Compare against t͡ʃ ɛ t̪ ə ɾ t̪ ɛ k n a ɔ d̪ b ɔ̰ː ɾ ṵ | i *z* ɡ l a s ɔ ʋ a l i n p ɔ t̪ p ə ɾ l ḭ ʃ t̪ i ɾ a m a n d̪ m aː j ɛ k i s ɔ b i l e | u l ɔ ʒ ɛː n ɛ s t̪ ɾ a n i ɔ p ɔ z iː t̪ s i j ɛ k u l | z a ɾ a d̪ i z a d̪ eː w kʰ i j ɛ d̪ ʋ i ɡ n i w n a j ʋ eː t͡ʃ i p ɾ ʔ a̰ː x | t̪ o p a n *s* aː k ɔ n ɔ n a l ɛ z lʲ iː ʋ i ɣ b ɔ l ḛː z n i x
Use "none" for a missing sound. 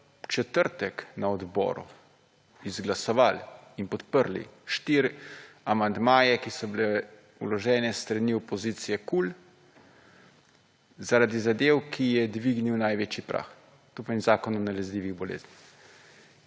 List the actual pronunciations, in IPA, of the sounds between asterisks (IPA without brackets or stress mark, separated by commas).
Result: z, z